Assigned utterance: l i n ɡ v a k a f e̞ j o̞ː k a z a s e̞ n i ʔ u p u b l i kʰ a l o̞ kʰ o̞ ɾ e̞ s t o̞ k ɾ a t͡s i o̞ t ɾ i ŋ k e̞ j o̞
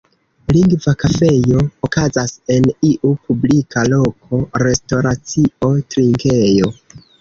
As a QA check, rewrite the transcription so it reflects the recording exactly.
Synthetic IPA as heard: l i ŋ ɡ v a k a f e̞ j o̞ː k a z a s e̞ n i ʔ u p u b l i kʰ a l o̞ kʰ o̞ ɾ e̞ s t o̞ ɾ a t͡s i o̞ t ɾ i ŋ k e̞ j o̞